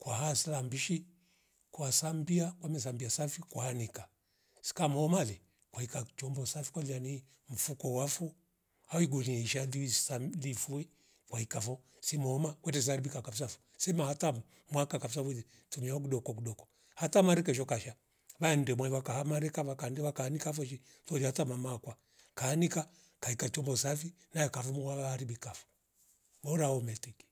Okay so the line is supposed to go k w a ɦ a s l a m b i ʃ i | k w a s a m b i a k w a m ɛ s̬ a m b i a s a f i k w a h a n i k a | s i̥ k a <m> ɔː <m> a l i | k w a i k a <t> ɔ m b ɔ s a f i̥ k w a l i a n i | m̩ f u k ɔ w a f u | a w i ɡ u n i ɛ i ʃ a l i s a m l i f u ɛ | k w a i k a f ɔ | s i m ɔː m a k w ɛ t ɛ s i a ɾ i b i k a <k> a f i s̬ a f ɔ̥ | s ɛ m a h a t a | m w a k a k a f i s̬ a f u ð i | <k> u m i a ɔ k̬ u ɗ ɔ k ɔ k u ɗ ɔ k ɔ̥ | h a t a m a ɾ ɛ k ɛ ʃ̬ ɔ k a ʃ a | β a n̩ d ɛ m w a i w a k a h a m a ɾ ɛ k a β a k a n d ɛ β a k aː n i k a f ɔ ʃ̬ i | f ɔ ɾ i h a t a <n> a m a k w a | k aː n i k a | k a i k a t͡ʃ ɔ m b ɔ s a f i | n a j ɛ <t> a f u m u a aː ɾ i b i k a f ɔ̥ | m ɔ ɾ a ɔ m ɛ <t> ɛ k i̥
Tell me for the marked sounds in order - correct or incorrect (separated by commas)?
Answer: correct, correct, incorrect, correct, incorrect, incorrect, incorrect, correct